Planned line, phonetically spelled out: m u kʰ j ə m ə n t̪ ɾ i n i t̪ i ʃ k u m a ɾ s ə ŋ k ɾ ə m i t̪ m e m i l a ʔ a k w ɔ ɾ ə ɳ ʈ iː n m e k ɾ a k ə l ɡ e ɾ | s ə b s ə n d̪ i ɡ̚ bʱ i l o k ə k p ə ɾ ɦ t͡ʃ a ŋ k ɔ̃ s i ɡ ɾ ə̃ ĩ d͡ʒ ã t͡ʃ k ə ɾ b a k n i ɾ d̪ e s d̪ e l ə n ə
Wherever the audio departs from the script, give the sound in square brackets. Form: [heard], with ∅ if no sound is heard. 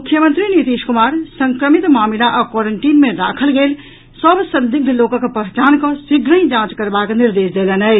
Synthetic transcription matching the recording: m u kʰ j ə m ə n t̪ ɾ i n i t̪ i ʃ k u m a ɾ s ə ŋ k ɾ ə m i t̪ m [a] m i l a ʔ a k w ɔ ɾ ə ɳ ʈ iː n m e [∅] ɾ a [kʰ] ə l ɡ e [l] | s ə b s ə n d̪ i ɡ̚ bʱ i l o k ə k p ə [∅] ɦ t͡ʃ a [n] k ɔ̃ s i ɡ ɾ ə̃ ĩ d͡ʒ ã t͡ʃ k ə ɾ b a k n i ɾ d̪ e s d̪ e l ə n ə